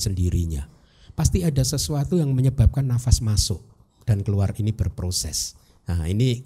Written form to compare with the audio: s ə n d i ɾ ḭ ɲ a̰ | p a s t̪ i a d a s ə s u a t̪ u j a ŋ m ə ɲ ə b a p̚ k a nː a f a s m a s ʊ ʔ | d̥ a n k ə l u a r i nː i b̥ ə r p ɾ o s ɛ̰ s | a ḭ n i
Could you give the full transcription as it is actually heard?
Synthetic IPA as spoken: s ə n d i ɾ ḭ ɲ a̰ | p a s t̪ i a d a s ə s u a t̪ u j a ŋ m ə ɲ ə b a p̚ k a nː a f a s m a s ʊ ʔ | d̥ a n k ə l u a r i n i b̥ ə r p ɾ o s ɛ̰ s | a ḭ n i